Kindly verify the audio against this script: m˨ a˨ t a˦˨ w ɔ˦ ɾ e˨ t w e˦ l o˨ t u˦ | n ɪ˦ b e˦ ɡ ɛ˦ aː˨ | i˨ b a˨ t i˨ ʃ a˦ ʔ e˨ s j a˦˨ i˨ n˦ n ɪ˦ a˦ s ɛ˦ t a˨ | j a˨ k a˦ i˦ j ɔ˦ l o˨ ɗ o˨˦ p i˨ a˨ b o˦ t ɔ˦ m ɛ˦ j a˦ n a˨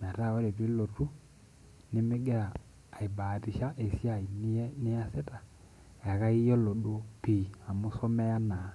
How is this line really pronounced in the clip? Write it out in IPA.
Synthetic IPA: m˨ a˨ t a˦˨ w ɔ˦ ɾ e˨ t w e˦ l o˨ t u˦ | n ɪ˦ m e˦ ɡ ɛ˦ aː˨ | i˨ b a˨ t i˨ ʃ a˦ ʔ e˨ s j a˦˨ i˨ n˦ n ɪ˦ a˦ s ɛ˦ t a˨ | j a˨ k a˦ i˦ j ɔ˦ l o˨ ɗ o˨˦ p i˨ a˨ m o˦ s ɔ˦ m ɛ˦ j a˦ n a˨